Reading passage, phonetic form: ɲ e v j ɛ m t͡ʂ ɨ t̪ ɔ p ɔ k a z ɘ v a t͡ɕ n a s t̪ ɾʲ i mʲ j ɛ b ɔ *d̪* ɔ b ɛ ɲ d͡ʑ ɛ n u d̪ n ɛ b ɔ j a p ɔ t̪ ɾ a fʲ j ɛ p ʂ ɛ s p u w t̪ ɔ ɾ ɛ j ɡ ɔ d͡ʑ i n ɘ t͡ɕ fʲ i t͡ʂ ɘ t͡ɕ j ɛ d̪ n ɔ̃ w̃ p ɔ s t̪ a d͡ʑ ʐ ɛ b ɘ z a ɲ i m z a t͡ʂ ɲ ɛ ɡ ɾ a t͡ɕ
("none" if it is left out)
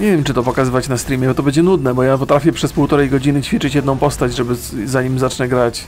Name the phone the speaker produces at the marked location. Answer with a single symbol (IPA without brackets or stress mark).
t̪